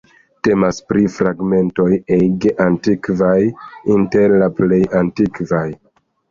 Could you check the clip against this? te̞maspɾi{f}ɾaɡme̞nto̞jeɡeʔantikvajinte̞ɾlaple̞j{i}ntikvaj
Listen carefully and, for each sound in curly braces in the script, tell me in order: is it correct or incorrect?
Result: correct, incorrect: a

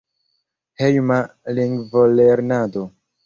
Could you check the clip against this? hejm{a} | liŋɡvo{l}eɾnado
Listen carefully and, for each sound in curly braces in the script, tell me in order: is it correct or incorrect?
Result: correct, correct

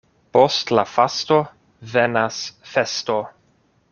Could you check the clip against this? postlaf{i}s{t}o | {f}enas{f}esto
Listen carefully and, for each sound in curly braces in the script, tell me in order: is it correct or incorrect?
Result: incorrect: a, correct, incorrect: v, correct

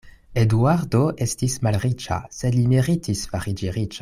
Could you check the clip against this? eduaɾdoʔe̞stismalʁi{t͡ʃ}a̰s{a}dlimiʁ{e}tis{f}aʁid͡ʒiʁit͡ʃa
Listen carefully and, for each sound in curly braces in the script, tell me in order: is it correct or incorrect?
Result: correct, incorrect: e, incorrect: i, correct

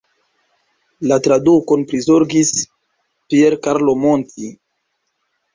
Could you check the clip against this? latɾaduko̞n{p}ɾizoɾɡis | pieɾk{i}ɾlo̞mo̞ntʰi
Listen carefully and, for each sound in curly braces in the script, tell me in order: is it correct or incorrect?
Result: correct, incorrect: a

